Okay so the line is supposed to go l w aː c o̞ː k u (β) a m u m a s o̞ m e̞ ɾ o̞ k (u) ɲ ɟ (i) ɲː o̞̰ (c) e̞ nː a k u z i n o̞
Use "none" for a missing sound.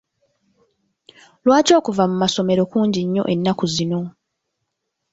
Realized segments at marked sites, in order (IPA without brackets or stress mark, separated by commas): v, uː, i, ʔ